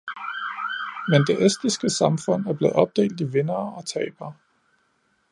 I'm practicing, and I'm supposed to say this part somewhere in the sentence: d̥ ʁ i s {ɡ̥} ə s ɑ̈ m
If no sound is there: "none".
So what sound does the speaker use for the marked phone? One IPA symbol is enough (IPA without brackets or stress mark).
ɡ̥